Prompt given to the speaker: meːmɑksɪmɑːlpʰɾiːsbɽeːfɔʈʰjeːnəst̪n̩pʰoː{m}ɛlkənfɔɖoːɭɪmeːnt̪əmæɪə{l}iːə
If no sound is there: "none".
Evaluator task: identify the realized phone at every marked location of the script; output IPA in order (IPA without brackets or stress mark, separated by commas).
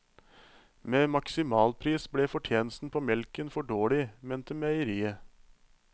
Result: m, ɾ